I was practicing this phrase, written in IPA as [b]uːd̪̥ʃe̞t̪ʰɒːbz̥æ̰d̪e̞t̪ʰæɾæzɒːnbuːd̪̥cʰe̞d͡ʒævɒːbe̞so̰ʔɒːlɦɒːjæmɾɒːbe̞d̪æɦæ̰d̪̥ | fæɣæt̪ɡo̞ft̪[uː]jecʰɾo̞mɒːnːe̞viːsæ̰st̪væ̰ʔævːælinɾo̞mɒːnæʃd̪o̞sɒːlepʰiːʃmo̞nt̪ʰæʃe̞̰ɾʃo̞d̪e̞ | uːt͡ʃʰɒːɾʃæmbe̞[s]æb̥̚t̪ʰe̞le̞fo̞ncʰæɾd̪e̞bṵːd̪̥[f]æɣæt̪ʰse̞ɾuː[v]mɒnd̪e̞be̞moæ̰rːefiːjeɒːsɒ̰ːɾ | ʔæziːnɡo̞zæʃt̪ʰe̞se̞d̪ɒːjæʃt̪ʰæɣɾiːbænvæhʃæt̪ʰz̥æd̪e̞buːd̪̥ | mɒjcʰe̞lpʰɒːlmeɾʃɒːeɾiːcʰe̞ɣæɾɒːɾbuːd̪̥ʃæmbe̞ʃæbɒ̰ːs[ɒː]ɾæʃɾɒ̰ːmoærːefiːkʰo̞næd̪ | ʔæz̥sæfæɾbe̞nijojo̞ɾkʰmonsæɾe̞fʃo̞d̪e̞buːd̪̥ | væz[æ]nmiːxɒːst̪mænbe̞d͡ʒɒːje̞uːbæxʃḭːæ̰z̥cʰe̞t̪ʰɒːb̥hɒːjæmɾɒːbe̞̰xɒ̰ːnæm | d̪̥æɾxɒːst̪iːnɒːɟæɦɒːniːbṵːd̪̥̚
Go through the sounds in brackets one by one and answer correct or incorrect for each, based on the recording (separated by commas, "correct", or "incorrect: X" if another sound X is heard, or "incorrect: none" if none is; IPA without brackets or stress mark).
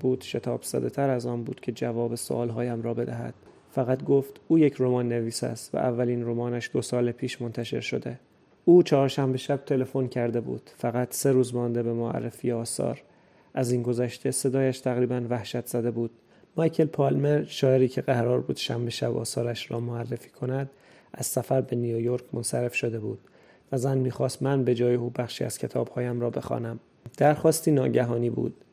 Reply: correct, correct, incorrect: ʃ, correct, incorrect: z, correct, correct